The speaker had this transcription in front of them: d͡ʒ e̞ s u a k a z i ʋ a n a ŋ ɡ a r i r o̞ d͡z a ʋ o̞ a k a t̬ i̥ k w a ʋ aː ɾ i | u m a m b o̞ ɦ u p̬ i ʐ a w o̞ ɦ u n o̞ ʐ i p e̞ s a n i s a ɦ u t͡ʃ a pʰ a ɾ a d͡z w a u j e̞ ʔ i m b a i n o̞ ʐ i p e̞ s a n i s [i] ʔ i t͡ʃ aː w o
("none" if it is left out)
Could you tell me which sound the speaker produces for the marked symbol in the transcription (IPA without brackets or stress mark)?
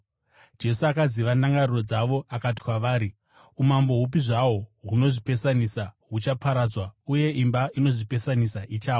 a